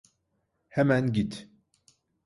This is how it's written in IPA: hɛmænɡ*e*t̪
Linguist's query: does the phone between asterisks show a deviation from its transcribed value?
yes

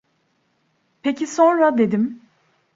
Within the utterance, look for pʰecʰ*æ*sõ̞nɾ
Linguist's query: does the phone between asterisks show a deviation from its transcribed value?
yes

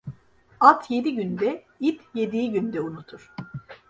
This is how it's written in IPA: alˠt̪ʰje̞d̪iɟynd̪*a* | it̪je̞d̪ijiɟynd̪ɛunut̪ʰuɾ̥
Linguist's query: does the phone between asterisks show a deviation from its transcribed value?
yes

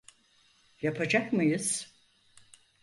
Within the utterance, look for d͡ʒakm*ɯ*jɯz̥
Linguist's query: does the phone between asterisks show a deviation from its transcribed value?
no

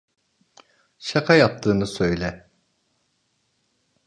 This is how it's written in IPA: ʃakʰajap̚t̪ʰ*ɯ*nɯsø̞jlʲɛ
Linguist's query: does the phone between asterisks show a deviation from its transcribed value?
yes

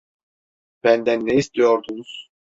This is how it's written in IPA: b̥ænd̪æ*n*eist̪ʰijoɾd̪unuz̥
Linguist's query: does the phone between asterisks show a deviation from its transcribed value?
yes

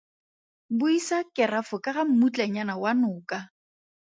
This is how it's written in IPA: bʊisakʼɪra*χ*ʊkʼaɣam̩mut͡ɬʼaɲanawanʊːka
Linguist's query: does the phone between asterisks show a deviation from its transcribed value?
yes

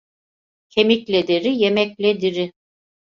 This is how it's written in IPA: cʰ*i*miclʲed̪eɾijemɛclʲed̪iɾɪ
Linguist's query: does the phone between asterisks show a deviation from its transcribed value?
yes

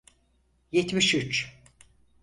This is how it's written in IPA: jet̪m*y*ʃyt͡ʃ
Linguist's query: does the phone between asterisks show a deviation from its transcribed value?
yes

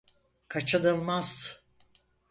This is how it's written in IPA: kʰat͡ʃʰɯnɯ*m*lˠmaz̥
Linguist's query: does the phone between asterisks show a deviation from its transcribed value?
yes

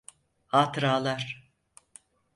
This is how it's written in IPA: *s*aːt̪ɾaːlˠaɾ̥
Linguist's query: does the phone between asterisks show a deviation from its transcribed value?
yes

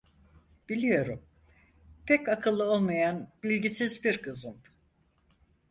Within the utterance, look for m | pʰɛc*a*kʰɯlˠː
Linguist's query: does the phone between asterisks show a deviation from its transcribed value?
no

